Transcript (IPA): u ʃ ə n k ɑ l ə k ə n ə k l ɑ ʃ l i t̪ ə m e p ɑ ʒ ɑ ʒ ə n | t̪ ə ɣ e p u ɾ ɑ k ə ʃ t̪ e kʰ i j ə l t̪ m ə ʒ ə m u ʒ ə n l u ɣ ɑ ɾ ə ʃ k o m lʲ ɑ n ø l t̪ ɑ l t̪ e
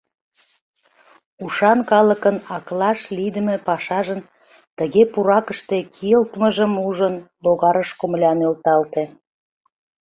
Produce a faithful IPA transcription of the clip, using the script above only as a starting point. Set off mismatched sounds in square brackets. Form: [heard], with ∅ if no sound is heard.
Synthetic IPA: u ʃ [ɑ] n k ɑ l ə k ə n [ɑ] k l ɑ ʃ l i [d̪] ə m e p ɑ [ʃ] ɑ ʒ ə n | t̪ ə ɣ e p u ɾ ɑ k ə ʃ t̪ e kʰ i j ə l t̪ m ə ʒ ə m u ʒ ə n l [o] ɣ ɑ ɾ ə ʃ k o m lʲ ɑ n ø l t̪ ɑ l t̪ e